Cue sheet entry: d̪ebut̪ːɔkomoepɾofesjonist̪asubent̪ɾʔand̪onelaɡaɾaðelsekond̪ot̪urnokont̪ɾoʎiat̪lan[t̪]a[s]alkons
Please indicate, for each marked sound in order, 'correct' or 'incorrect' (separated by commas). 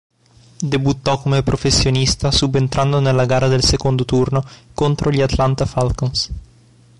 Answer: correct, incorrect